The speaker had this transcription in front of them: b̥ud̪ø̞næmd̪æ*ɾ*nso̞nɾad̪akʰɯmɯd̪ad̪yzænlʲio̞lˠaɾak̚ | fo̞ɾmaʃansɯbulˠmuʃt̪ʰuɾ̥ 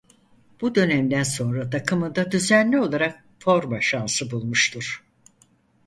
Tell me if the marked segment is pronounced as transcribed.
no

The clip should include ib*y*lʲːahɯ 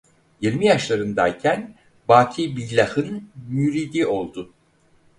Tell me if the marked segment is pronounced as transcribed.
no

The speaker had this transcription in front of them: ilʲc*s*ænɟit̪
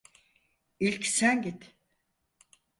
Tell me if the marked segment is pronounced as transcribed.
yes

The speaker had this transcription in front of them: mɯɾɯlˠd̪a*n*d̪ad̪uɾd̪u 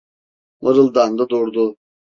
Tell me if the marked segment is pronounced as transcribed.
yes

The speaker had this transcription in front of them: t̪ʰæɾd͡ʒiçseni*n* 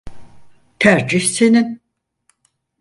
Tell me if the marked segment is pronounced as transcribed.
yes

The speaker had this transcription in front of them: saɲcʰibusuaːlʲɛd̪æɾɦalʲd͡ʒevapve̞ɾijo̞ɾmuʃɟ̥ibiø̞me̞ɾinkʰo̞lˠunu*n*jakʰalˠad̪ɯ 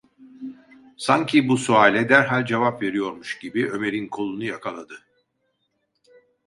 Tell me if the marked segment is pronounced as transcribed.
no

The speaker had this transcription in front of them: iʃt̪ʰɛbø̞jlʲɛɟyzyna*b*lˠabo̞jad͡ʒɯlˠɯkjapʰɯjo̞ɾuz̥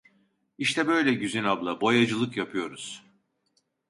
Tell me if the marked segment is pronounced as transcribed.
yes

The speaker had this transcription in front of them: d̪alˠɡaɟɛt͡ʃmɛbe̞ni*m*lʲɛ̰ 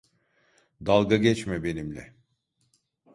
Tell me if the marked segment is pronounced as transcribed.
yes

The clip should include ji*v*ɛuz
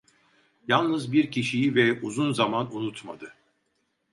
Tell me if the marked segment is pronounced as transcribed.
yes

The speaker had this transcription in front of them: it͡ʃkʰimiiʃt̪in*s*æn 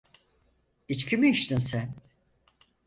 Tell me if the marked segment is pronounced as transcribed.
yes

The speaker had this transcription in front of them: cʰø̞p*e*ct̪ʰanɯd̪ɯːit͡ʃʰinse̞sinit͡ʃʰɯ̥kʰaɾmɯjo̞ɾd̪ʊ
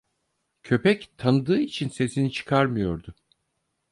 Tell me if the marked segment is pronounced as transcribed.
no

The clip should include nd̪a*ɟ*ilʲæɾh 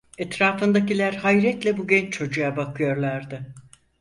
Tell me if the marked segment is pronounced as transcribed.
no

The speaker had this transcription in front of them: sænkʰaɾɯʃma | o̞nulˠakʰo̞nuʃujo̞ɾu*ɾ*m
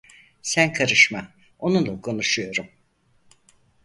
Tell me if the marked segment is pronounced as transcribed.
no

